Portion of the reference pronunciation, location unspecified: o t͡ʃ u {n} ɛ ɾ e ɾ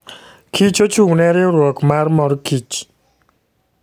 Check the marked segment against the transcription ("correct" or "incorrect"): correct